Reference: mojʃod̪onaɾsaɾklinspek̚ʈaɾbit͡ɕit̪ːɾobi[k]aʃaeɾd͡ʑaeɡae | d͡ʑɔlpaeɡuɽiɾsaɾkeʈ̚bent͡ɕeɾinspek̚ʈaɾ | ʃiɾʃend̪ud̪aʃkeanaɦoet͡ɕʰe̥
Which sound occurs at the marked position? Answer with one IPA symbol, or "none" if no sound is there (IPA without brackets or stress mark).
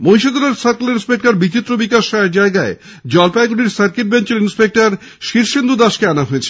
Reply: k